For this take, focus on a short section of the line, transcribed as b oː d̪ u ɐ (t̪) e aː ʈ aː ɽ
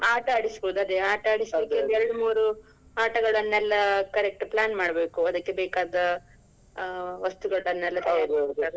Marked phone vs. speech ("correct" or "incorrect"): incorrect